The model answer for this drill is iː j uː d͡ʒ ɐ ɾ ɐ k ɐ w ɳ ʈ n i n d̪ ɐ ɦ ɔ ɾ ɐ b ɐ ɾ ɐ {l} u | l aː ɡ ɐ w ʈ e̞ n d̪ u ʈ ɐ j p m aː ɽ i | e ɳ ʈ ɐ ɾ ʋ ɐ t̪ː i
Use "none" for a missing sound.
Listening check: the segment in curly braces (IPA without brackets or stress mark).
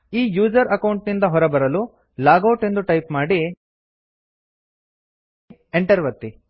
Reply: l